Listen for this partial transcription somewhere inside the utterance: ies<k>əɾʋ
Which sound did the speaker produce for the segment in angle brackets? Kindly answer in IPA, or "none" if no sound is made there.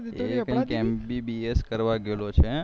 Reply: k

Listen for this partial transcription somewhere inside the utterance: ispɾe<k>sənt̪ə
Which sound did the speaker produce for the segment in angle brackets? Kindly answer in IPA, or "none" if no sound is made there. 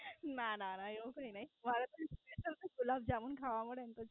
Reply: none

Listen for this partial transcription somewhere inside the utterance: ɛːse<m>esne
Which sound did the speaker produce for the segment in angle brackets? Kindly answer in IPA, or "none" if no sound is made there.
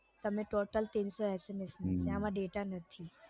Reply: m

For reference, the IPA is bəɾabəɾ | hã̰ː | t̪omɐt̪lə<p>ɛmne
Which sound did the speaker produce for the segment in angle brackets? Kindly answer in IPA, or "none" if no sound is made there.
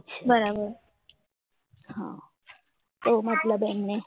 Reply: b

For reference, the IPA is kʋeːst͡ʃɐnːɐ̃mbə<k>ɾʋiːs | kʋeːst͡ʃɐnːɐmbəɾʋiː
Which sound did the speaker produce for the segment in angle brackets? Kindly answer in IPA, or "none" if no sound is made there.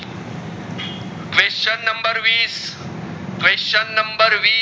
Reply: none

